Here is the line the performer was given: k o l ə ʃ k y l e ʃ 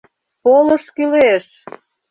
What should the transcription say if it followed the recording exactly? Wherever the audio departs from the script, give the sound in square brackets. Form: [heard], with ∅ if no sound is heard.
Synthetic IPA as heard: [p] o l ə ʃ k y l e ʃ